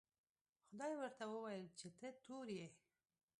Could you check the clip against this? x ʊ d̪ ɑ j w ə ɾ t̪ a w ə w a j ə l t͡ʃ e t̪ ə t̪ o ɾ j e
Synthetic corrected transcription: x ʊ d̪ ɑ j w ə ɾ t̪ a w ə w a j ə l t͡ʃ e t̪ ə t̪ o ɾ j e

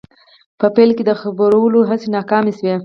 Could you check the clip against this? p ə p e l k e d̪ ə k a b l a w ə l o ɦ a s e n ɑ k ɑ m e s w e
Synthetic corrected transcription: p ə p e l k e d̪ ə x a b ɾ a w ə l o ɦ a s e n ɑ k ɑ m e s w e

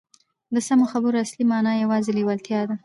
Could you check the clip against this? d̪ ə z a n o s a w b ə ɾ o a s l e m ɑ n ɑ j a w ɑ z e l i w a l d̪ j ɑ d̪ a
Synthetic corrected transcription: d̪ ə s a m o x a b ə ɾ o a s l i m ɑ n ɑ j a w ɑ z e l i w a l t̪ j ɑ d̪ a

